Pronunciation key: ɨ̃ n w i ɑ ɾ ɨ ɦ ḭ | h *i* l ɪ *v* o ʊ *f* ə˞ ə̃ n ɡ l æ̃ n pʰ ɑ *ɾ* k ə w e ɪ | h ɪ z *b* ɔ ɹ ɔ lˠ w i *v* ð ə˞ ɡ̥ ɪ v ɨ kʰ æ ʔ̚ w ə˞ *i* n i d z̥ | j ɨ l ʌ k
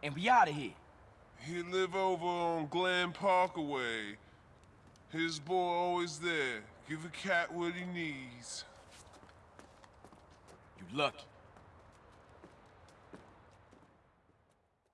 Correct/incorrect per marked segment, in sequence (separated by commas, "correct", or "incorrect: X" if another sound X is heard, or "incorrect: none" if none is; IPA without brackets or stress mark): correct, correct, incorrect: v, incorrect: ɹ, correct, incorrect: z, correct